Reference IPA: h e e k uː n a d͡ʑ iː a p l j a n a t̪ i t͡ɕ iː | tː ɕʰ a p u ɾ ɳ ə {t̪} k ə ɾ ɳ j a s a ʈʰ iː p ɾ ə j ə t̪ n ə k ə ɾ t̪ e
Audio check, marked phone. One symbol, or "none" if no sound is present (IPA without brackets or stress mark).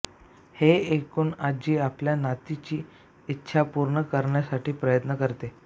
none